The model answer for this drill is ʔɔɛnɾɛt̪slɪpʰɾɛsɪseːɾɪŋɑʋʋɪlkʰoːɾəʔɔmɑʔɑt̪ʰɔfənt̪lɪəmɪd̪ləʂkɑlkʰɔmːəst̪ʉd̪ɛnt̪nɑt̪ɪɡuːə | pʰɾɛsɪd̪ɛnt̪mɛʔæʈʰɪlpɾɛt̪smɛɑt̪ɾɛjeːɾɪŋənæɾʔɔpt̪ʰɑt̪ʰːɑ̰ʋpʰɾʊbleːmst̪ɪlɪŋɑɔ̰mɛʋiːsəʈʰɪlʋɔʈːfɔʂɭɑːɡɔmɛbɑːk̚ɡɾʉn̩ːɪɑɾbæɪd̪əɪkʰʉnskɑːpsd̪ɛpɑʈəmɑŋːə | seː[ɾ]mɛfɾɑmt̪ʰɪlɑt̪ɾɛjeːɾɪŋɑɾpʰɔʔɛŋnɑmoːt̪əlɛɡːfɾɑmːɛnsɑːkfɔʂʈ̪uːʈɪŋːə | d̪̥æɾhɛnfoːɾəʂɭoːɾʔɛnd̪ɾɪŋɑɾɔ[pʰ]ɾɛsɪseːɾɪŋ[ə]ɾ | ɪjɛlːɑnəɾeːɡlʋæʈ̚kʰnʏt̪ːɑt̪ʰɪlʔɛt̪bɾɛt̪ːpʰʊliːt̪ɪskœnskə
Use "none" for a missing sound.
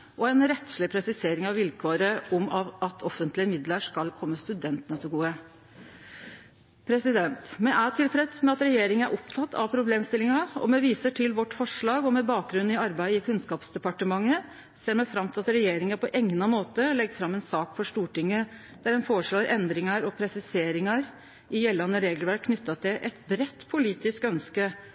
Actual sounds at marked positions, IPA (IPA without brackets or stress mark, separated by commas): ɾ, pʰ, ɑ